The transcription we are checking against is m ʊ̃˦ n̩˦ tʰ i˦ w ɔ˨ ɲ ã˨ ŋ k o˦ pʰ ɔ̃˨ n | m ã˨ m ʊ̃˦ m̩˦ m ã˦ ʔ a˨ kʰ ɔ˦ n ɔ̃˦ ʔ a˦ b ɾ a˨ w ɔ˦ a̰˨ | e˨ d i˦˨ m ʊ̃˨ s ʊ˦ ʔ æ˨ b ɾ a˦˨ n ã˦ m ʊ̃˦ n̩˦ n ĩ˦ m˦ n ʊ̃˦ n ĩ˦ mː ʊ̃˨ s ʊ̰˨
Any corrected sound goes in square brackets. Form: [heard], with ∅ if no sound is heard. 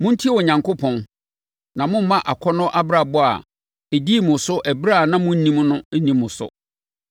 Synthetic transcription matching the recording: m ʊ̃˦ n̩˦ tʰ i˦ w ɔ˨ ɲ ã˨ ŋ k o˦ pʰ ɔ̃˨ n | [n] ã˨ m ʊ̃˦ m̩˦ m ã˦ ʔ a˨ kʰ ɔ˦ n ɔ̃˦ ʔ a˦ b ɾ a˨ [b] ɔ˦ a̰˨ | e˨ d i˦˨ m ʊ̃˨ s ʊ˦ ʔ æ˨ b ɾ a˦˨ n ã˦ m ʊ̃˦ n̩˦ n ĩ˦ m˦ n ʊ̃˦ n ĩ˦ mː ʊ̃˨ s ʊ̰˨